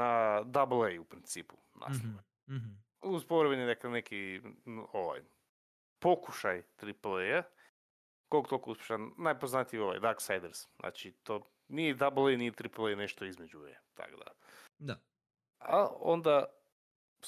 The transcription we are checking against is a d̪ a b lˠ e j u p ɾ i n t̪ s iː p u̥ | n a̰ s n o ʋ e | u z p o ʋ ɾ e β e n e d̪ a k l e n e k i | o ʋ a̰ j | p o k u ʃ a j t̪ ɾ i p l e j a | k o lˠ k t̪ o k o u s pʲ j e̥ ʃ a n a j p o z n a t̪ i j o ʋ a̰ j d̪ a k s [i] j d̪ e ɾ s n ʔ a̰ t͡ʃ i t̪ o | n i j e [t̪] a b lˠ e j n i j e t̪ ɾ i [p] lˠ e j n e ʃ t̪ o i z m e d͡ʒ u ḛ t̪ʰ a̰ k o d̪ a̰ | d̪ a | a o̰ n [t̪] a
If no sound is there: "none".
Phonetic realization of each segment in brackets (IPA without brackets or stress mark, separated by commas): a, d̪, p, d̪